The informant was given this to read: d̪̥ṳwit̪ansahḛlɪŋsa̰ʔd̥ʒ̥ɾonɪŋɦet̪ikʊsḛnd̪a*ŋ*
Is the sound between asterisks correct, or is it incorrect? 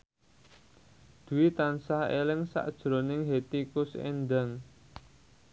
correct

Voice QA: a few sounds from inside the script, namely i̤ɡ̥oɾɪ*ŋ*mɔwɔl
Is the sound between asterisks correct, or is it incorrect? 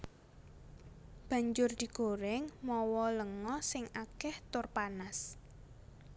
correct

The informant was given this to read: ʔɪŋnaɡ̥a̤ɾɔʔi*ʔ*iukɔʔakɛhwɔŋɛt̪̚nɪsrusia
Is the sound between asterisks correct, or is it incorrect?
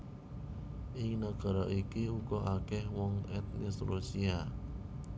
incorrect: k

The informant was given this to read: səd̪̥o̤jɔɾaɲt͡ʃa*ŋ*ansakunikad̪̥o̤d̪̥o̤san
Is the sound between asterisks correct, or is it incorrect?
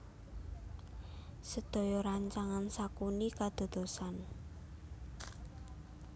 correct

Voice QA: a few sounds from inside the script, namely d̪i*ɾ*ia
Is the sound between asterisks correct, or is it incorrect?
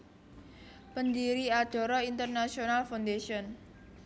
correct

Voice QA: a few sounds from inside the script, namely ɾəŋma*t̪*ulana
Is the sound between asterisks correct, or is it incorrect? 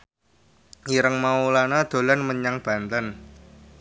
incorrect: none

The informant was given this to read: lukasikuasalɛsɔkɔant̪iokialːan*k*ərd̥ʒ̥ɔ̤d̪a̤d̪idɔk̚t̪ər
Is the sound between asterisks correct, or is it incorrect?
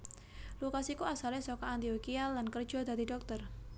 correct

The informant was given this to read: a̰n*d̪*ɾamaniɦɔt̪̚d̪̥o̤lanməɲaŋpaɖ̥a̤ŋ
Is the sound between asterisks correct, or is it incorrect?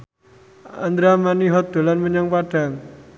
correct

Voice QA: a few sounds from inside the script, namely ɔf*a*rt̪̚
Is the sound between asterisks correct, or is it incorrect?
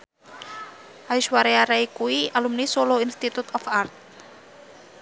correct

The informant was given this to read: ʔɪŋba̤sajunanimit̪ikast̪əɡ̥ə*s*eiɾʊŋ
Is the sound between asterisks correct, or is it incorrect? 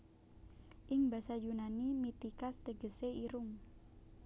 correct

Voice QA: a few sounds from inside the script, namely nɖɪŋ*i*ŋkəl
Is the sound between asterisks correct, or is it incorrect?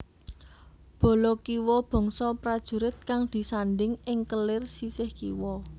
incorrect: ɪ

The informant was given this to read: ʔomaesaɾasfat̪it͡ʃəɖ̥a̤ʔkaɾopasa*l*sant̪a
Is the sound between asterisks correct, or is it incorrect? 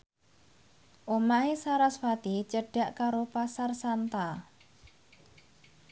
incorrect: r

